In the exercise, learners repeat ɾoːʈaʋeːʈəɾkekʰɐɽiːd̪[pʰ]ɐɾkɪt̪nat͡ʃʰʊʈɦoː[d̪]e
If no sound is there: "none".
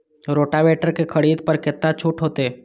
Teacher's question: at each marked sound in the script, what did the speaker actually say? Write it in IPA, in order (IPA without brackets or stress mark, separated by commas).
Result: p, t̪